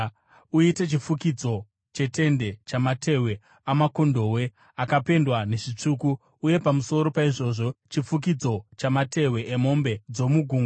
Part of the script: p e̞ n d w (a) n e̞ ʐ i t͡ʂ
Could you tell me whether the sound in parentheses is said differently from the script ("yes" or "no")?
no